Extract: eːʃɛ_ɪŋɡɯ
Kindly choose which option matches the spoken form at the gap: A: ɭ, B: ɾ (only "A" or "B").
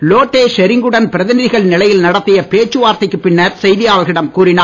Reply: B